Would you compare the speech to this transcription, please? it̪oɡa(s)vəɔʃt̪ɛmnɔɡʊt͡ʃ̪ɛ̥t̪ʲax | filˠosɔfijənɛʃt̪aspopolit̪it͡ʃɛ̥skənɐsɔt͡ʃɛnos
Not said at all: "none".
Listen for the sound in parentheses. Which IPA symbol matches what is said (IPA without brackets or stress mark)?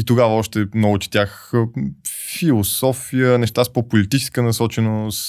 none